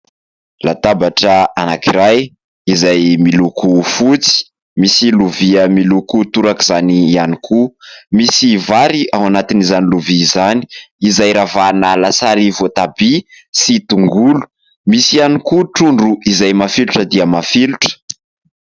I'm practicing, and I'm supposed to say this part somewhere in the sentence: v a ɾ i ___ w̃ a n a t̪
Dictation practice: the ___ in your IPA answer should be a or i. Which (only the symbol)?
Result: a